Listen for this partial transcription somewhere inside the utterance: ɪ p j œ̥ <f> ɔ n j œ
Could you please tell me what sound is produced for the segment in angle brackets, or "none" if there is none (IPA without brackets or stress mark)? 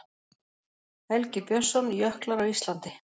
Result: s